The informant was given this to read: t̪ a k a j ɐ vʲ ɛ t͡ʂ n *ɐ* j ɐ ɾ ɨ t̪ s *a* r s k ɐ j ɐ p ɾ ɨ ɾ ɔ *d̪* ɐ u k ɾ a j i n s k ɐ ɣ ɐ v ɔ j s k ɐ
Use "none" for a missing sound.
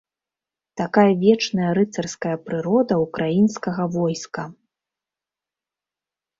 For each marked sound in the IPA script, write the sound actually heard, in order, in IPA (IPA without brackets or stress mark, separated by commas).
ɐ, ɐ, d̪